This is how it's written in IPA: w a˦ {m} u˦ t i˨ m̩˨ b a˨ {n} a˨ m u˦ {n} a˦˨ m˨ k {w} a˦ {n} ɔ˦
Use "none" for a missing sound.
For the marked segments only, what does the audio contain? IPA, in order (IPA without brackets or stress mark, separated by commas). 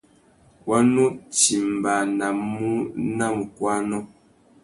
n, n, n, w, n